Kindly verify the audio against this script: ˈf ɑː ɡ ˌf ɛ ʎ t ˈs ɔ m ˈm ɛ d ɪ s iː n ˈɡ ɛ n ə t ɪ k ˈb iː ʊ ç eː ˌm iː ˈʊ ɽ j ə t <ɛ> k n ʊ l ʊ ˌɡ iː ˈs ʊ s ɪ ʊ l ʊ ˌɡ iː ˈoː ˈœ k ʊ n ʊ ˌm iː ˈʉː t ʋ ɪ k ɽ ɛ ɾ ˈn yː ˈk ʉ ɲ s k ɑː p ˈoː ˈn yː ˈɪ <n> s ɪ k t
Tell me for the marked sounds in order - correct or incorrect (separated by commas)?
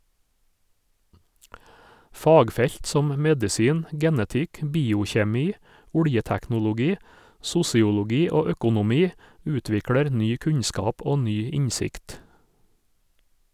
incorrect, incorrect